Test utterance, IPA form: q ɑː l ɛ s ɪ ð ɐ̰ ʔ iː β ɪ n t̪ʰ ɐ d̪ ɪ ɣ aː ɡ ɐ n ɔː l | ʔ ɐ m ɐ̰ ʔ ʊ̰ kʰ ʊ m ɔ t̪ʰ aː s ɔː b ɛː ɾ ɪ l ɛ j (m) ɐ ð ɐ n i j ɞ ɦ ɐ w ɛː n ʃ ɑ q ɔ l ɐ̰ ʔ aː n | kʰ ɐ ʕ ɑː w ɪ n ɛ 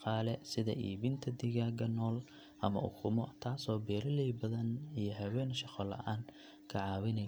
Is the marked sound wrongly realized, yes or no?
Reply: yes